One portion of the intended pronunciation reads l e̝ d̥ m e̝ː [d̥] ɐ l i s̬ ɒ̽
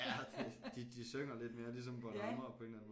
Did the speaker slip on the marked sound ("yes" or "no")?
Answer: yes